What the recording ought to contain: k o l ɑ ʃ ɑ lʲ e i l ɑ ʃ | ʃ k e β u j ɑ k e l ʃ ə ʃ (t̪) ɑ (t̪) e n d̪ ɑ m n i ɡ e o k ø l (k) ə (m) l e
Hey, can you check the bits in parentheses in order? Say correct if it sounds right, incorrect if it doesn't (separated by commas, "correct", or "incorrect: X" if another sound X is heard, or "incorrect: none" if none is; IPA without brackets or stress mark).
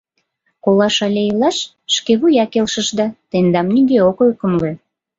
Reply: incorrect: d̪, correct, correct, correct